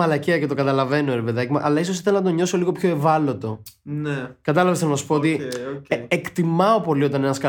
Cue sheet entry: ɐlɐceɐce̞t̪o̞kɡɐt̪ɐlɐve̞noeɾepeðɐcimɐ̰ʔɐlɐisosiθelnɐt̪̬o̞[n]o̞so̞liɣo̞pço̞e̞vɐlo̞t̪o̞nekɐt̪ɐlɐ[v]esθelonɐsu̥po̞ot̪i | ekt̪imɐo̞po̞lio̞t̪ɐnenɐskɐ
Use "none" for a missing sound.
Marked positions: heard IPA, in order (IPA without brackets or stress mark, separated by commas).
ɲ, v